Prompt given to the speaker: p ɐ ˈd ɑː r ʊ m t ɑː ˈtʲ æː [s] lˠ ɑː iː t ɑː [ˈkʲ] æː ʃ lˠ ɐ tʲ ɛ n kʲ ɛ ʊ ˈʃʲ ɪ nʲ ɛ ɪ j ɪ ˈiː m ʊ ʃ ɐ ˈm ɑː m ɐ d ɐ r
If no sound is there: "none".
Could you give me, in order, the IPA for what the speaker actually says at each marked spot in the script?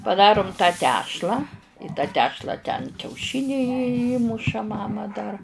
ʃ, tʲ

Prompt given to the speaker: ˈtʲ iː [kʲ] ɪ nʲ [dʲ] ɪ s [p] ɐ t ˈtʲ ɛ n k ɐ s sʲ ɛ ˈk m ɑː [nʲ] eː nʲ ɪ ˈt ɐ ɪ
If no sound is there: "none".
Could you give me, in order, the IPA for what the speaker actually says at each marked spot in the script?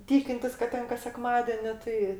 kʲ, tʲ, k, dʲ

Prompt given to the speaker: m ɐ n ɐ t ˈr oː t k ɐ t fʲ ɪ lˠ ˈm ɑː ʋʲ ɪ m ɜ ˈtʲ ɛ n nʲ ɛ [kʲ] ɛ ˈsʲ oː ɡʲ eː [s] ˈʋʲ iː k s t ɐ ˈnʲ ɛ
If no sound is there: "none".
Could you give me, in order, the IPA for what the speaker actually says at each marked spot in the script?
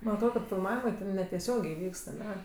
tʲ, none

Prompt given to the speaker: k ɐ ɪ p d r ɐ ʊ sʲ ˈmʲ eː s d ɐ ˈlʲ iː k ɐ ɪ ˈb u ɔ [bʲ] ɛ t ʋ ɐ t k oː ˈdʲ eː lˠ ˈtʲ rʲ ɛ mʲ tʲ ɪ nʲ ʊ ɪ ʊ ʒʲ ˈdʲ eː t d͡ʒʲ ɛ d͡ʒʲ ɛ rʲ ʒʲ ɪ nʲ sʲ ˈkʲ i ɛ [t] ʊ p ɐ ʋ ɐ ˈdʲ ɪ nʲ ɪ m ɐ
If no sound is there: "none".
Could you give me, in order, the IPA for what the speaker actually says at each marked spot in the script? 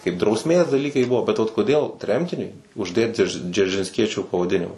bʲ, t͡ʃʲ

